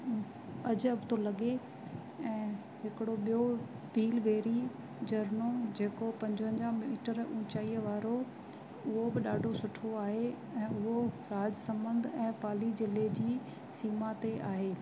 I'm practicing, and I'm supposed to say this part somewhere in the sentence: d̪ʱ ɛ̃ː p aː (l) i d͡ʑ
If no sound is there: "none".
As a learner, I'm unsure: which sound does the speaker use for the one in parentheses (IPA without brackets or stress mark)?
l